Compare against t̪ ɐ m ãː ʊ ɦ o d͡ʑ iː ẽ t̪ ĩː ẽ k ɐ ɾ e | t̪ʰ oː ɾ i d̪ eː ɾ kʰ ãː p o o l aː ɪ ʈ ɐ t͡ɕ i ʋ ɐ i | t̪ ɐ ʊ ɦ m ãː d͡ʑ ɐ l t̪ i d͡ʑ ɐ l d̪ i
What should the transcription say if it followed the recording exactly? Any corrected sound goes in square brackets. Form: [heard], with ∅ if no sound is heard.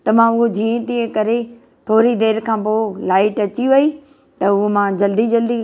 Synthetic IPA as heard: t̪ ɐ m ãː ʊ ɦ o d͡ʑ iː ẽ t̪ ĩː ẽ k ɐ ɾ e | t̪ʰ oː ɾ i d̪ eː ɾ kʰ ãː p o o l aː ɪ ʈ ɐ t͡ɕ i ʋ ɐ i | t̪ ɐ ʊ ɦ m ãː d͡ʑ ɐ l [d̪] i d͡ʑ ɐ l d̪ i

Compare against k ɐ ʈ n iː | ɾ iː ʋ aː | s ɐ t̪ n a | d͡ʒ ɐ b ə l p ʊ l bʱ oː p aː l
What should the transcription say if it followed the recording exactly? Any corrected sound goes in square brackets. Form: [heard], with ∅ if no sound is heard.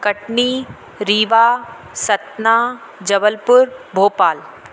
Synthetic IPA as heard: k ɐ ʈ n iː | ɾ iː ʋ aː | s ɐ t̪ n a | d͡ʒ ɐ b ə l p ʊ [ɾ] bʱ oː p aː l

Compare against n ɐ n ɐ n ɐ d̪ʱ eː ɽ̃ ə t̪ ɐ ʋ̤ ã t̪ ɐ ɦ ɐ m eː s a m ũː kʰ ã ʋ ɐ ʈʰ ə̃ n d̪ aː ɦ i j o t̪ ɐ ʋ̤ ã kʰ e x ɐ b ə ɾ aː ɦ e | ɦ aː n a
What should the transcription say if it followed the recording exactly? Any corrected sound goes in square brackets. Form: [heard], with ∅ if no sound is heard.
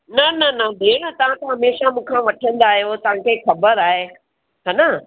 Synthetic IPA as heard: n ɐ n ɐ n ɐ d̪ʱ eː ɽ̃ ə t̪ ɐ ʋ̤ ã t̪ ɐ ɦ ɐ m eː [ʃ] a m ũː kʰ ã ʋ ɐ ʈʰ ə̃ n d̪ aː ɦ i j o t̪ ɐ ʋ̤ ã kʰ e x ɐ b ə ɾ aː ɦ e | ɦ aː n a

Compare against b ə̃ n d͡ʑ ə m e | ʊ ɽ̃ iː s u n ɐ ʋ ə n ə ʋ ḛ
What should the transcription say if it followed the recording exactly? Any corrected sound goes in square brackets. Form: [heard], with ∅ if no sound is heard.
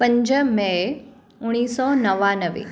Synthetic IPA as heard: [p] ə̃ [ɲ] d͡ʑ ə m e | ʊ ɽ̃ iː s [ɔ] n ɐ ʋ [a] n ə ʋ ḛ

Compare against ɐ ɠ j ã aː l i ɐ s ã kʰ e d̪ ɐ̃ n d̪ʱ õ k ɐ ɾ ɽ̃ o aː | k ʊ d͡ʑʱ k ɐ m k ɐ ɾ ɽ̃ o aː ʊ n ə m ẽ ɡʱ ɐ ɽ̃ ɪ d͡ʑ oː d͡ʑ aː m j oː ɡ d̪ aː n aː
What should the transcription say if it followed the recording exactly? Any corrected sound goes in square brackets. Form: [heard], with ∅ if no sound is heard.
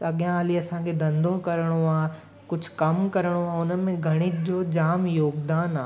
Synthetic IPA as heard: ɐ ɠ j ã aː l i ɐ s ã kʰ e d̪ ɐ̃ n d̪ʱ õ k ɐ ɾ ɽ̃ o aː | k ʊ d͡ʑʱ k ɐ m k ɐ ɾ ɽ̃ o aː ʊ n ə m ẽ ɡʱ ɐ ɽ̃ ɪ d͡ʑ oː d͡ʑ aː m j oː ɡ d̪ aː n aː

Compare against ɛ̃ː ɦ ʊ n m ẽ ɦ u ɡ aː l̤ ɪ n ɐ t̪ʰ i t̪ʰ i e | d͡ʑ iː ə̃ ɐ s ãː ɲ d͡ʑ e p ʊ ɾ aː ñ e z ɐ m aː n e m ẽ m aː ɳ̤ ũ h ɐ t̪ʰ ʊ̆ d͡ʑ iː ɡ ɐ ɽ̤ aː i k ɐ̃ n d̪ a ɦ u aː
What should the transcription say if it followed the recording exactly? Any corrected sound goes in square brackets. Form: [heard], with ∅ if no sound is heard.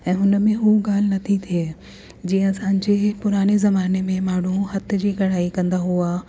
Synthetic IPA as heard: ɛ̃ː ɦ ʊ n m ẽ ɦ u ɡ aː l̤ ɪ n ɐ t̪ʰ i t̪ʰ i e | d͡ʑ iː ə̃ ɐ s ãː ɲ d͡ʑ e p ʊ ɾ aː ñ e z ɐ m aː n e m ẽ m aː ɳ̤ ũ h ɐ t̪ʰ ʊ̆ d͡ʑ iː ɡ ɐ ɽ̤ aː i k ɐ̃ n d̪ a ɦ u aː

